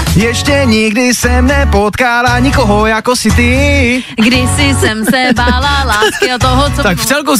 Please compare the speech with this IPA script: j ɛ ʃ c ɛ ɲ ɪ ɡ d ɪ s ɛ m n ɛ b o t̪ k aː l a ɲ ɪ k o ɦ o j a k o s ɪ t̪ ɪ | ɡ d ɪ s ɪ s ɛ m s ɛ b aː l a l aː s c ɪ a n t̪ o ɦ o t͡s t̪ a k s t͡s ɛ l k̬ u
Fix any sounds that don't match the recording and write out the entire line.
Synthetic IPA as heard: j ɛ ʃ c ɛ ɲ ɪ ɡ d ɪ s ɛ m n ɛ p o t̪ k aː l a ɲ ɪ k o ɦ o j a k o s ɪ t̪ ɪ | ɡ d ɪ s ɪ s ɛ m s ɛ b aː l a l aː s k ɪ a t̪ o ɦ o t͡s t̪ a k f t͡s ɛ l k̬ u